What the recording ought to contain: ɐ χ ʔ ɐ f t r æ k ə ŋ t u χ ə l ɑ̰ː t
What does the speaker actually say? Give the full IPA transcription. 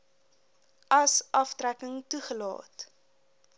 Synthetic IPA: ɐ s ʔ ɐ f t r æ k ə ŋ t u χ ə l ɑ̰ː t

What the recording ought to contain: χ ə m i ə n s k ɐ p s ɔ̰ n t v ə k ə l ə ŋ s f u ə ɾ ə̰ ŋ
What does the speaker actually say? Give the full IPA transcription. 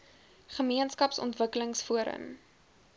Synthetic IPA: χ ə m i ə n s k ɐ p s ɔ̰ n t v ə k ə l ə ŋ s f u ə ɾ ə̰ m

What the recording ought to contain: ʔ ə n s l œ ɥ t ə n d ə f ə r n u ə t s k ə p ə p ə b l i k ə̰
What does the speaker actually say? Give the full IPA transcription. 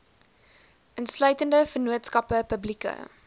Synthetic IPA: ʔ ə n s l œ ɥ t ə n d ə f ə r n u ə t s k ɐ p ə p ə b l i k ə̰

